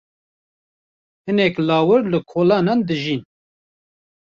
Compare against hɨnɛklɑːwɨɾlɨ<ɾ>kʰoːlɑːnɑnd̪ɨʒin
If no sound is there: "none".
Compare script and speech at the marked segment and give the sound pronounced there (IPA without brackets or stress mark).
none